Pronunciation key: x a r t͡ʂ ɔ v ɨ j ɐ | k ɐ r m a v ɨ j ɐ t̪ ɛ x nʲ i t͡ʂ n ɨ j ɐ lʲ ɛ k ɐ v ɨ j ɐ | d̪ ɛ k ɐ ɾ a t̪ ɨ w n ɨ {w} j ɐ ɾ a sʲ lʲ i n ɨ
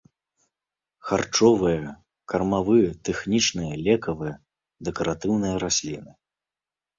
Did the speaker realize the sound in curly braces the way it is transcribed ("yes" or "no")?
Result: no